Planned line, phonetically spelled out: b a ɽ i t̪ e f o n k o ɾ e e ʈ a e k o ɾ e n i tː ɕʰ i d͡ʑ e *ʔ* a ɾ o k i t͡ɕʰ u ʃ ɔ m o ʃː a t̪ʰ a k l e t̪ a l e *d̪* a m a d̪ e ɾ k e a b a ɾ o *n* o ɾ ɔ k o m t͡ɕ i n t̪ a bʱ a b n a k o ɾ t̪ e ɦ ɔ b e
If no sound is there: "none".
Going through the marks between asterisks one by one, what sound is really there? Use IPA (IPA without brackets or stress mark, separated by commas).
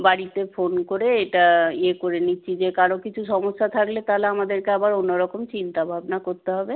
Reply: k, none, nː